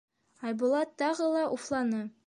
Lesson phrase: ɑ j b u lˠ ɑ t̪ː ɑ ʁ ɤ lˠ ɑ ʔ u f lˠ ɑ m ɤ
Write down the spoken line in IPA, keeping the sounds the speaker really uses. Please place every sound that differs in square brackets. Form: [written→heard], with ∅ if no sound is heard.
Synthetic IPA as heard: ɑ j b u lˠ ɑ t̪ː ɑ ʁ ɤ lˠ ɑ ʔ u f lˠ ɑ [m→n] ɤ